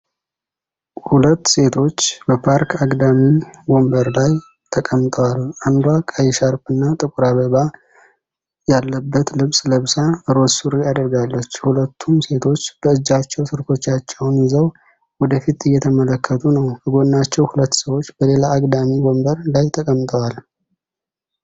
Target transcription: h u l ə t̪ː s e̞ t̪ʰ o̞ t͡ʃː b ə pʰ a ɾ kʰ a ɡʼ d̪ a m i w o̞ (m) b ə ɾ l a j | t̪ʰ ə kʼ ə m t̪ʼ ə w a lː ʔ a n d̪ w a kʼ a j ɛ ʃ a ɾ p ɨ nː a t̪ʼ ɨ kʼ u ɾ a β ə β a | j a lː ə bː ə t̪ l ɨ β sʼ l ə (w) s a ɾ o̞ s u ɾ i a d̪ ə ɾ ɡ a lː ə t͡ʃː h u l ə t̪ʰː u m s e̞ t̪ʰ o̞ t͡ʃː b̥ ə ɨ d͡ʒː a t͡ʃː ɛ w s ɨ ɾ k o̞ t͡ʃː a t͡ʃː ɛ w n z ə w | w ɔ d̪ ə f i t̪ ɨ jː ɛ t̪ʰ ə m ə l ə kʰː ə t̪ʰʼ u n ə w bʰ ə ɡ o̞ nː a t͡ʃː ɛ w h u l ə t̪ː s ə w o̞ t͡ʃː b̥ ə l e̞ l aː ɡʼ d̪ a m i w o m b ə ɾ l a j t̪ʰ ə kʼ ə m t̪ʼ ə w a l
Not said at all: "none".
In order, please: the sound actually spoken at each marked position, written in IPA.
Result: m, β

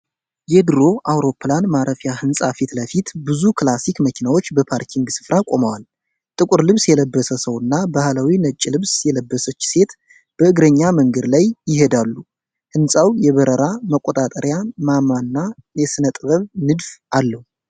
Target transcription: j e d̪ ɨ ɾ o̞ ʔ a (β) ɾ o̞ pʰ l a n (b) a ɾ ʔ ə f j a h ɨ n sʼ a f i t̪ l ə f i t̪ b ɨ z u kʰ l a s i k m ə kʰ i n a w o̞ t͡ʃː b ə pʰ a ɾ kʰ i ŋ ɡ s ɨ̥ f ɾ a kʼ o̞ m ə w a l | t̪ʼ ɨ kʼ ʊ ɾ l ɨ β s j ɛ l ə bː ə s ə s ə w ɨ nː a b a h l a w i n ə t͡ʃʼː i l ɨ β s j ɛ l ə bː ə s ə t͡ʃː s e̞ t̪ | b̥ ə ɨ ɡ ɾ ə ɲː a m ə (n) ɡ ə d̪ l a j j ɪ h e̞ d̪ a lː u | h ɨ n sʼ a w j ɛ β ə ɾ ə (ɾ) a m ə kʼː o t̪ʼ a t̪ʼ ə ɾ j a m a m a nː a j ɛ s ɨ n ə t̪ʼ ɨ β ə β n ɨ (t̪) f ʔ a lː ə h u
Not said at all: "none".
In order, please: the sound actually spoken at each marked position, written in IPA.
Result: w, m, ŋ, ɾ, d̪

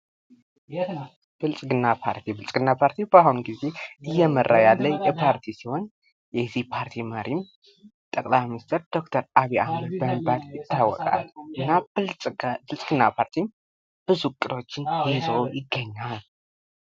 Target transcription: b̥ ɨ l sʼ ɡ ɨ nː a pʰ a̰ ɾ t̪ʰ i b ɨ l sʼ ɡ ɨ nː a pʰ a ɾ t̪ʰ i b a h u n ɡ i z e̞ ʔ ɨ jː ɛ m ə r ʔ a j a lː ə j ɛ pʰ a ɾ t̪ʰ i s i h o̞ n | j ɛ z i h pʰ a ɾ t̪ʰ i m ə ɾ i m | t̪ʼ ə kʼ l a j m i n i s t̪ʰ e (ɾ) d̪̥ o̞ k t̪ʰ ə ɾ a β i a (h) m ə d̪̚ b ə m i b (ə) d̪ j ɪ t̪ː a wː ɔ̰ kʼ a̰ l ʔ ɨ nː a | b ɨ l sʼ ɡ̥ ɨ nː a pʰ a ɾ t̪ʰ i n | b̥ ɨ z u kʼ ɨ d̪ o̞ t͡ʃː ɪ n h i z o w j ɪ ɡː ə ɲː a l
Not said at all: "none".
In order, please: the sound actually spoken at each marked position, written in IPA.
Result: ɾ, h, a

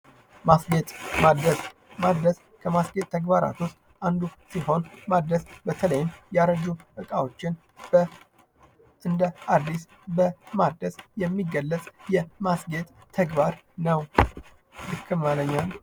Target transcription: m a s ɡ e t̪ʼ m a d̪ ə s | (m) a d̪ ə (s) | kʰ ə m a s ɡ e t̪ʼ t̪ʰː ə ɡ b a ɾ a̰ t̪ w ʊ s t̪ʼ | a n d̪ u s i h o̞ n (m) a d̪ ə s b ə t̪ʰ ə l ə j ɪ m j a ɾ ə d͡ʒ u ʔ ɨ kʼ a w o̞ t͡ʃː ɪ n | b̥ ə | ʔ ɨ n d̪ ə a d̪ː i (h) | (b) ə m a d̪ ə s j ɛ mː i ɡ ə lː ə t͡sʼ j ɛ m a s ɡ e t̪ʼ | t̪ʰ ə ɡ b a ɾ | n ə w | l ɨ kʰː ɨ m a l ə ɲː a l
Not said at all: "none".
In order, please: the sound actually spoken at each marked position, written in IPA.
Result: m, s, m, s, b

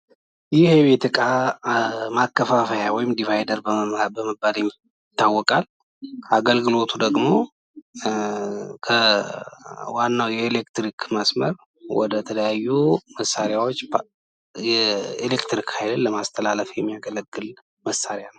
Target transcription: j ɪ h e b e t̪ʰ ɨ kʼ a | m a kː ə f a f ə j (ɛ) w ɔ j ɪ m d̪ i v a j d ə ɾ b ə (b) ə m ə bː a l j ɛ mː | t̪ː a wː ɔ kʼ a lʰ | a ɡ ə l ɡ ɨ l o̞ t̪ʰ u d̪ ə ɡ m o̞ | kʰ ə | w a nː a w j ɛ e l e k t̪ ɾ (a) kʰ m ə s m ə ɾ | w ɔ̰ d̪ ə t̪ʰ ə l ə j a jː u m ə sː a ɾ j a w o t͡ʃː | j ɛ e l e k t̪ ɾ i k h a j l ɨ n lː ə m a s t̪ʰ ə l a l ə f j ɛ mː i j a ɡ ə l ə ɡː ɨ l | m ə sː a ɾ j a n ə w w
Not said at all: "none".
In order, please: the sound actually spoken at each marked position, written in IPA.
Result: a, b, i

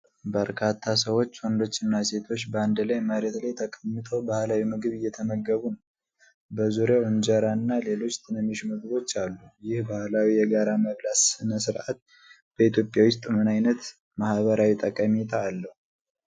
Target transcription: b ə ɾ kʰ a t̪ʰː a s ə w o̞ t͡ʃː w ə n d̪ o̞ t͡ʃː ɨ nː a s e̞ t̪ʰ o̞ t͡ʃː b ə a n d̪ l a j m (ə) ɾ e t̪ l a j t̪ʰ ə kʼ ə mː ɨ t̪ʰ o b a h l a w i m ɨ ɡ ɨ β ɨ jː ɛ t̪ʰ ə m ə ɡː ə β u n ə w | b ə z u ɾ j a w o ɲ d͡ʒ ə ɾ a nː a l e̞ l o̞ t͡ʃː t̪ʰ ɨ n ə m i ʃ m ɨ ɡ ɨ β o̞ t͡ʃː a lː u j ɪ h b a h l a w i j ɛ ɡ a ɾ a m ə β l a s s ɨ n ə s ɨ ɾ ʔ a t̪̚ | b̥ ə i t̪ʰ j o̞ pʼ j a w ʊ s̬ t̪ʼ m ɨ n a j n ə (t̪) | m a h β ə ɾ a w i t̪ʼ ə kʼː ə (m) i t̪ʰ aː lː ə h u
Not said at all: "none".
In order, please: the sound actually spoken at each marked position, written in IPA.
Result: ə, t̪, m

